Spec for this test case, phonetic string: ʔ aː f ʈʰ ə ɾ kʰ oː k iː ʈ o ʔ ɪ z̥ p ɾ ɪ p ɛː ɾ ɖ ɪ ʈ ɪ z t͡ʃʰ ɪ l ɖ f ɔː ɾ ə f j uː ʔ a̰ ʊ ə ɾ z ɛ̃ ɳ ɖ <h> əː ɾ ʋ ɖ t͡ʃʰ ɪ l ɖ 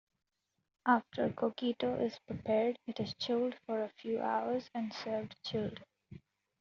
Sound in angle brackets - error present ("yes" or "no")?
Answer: yes